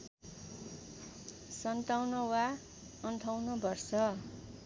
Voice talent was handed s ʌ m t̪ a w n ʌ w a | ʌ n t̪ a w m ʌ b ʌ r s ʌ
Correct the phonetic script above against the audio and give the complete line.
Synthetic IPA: s ʌ n t̪ a w n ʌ w a | ʌ n t̪ʰ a w n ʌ b ʌ r s ʌ